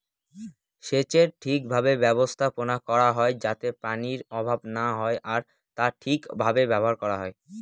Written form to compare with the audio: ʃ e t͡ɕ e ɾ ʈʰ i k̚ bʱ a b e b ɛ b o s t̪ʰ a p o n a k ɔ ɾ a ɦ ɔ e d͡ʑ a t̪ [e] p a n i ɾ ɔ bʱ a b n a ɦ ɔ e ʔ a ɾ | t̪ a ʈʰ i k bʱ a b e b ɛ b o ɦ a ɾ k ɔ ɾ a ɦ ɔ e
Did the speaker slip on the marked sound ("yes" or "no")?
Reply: no